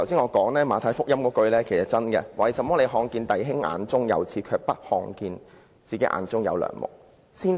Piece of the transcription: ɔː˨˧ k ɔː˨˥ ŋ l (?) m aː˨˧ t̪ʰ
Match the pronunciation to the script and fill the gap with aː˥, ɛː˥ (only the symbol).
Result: ɛː˥